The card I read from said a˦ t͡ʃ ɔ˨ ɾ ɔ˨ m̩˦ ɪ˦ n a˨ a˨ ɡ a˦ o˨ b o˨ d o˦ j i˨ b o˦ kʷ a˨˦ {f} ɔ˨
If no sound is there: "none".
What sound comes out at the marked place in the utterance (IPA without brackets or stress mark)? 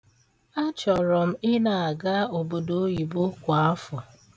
f